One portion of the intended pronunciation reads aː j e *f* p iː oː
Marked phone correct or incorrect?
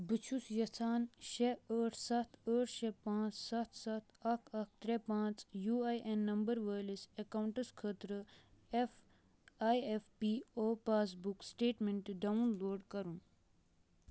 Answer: correct